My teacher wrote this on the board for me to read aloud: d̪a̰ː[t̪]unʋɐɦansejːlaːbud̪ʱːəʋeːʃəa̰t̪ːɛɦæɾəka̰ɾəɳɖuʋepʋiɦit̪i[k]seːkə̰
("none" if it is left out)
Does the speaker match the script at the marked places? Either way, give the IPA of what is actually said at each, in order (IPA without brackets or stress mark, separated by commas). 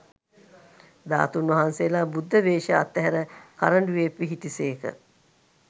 t̪, none